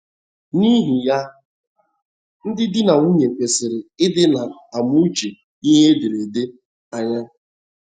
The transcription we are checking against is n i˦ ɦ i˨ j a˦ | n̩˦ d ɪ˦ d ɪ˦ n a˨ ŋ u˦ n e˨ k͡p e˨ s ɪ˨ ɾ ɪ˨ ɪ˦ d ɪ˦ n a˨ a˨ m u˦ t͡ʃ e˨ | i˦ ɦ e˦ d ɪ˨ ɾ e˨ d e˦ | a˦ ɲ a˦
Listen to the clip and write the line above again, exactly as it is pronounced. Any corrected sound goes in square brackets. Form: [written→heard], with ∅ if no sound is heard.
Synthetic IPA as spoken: n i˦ ɦ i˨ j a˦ | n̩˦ d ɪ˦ d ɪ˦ n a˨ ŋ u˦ [n→ɲ] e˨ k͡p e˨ s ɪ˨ ɾ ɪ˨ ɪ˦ d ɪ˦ n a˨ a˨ m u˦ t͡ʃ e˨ | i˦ ɦ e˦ d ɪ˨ ɾ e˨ d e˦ | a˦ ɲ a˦